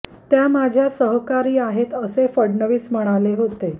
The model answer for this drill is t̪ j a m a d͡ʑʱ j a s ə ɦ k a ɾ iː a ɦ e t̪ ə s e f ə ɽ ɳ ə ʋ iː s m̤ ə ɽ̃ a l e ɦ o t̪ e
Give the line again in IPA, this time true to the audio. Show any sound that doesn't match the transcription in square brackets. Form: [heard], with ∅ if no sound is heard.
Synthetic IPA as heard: t̪ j a m a d͡ʑʱ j a s ə ɦ k a ɾ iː a ɦ e t̪ ə s e f ə ɽ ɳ ə ʋ iː s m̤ ə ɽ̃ a l e ɦ o t̪ e